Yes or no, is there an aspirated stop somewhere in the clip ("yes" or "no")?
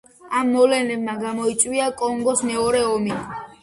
no